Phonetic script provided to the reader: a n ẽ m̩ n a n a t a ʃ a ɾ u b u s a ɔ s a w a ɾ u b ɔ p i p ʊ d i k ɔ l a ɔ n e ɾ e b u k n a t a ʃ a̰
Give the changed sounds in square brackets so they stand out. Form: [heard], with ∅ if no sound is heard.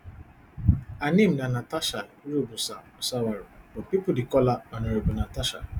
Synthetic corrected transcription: a n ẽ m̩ n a n a t a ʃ a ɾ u b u s a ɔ s a w a ɾ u b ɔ p i p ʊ d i k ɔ l a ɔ n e ɾ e b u [∅] n a t a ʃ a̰